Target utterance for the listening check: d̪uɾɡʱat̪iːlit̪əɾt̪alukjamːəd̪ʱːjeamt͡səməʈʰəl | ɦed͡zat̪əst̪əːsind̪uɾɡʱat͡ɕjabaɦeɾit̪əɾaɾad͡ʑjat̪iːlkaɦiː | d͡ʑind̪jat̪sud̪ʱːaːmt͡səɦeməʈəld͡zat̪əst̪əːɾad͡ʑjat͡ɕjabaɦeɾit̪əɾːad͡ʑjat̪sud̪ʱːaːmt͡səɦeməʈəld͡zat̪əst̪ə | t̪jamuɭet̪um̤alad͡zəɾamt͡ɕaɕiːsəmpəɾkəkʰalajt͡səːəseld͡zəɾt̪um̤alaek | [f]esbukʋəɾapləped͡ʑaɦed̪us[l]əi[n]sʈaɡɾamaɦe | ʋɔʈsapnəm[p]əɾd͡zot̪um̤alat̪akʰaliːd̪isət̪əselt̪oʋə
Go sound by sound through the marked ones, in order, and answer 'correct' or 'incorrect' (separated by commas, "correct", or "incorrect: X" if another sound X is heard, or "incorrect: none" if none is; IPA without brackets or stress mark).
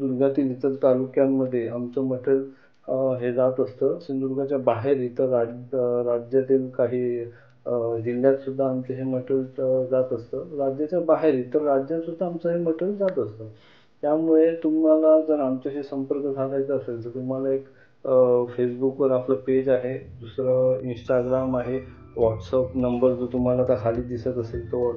correct, incorrect: ɾ, correct, incorrect: b